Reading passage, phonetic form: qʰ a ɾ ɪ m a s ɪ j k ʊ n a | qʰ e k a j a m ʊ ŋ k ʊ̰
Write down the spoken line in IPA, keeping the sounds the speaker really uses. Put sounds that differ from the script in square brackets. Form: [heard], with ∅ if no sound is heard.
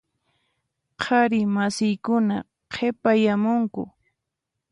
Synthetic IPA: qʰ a ɾ ɪ m a s ɪ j k ʊ n a | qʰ e [p] a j a m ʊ ŋ k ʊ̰